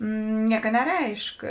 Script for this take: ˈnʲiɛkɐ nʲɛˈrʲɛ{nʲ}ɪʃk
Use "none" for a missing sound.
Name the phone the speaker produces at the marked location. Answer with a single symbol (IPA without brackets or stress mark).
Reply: none